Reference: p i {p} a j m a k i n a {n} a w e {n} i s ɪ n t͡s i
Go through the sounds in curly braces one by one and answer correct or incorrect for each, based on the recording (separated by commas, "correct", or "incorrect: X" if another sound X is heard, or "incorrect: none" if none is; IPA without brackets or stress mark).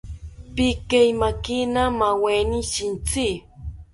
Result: incorrect: k, incorrect: m, correct